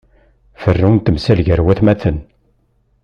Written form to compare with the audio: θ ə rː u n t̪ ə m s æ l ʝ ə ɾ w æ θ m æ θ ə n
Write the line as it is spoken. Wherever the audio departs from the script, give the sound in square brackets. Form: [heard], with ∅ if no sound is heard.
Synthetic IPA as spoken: [f] ə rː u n t̪ ə m s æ l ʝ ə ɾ w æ θ m æ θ ə n